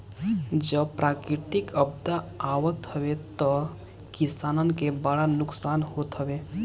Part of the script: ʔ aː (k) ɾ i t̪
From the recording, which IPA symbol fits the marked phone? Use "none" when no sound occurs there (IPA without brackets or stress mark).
k